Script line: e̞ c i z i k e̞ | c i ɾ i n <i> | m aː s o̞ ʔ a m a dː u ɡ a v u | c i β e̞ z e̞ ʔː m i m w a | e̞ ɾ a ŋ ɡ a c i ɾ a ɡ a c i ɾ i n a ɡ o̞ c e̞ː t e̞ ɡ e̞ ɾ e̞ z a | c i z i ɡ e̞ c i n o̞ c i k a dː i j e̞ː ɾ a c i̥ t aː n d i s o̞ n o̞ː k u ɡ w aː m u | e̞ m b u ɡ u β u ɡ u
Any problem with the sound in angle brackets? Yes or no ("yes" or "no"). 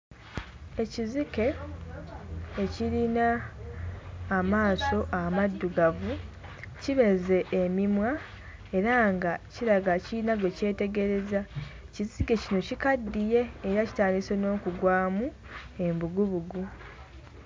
yes